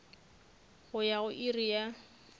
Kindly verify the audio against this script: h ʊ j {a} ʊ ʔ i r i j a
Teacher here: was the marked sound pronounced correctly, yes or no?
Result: yes